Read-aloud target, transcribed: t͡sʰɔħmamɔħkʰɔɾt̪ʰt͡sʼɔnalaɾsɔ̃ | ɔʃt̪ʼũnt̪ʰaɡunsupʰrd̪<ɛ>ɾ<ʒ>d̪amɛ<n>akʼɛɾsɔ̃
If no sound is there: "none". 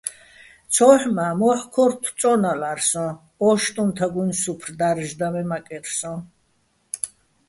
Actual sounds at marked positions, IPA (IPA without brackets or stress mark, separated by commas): a, ʒ, m